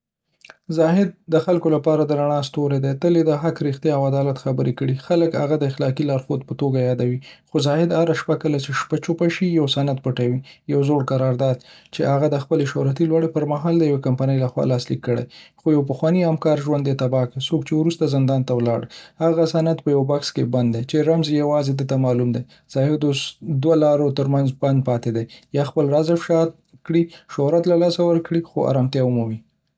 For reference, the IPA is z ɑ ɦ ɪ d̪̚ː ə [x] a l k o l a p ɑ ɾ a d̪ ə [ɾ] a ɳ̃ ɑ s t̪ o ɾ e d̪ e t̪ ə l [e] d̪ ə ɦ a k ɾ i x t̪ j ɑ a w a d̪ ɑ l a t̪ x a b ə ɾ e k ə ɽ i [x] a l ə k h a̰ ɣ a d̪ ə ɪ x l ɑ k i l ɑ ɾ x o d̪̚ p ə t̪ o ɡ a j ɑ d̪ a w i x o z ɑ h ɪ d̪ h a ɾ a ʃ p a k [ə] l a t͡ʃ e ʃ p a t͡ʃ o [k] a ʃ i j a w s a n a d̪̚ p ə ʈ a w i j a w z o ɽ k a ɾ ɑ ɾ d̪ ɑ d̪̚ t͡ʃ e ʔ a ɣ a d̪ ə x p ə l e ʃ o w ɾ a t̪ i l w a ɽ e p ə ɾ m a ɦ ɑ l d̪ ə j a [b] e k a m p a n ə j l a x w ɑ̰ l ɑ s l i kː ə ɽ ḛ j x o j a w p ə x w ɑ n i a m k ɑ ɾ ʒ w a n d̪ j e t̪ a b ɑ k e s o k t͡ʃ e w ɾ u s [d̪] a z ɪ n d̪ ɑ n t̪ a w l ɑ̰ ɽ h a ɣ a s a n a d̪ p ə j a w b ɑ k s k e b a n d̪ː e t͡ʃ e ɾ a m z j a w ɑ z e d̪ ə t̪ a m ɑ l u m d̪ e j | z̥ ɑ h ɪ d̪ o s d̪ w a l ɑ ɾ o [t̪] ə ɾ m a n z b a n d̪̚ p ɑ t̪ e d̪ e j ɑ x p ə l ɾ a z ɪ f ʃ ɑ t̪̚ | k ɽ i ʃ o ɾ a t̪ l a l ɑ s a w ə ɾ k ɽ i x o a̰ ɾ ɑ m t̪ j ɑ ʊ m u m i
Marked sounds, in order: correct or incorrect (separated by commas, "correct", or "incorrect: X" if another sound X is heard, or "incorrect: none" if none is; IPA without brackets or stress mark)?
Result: correct, correct, correct, correct, correct, incorrect: p, incorrect: w, incorrect: t̪, correct